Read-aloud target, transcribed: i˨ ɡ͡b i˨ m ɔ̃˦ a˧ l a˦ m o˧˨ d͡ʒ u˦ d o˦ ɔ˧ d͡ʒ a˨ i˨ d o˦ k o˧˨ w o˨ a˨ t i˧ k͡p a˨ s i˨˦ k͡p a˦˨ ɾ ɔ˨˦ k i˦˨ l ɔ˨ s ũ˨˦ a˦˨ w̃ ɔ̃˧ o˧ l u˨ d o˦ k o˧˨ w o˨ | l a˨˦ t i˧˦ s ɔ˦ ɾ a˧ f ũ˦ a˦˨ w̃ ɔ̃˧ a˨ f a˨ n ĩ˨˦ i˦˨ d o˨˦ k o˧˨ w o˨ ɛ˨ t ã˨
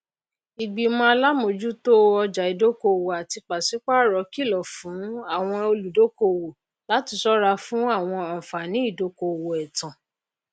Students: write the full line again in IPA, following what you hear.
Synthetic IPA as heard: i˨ ɡ͡b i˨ m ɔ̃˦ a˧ l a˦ m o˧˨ d͡ʒ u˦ t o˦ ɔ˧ d͡ʒ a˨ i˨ d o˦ k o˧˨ w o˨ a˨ t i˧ k͡p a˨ s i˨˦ k͡p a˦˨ ɾ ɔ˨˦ k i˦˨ l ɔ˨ f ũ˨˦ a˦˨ w̃ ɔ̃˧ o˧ l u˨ d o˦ k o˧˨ w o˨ | l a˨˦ t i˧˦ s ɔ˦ ɾ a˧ f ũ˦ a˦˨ w̃ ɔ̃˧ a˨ f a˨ n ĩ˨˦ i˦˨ d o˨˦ k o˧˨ w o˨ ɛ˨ t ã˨